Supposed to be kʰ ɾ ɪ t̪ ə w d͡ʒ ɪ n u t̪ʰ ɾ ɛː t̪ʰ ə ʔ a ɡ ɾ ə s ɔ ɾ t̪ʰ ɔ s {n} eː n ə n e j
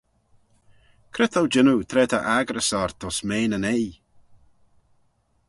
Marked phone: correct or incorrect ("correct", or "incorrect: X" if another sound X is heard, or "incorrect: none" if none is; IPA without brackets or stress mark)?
incorrect: m